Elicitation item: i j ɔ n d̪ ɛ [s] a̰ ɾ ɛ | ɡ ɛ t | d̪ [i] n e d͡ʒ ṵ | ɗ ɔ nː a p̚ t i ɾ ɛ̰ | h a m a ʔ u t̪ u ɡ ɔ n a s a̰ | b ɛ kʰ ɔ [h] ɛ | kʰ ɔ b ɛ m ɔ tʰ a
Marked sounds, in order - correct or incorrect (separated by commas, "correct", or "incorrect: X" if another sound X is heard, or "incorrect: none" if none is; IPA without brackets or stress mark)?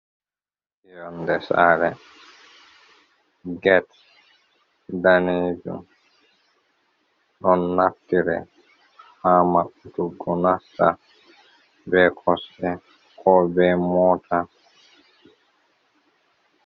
correct, incorrect: a, incorrect: s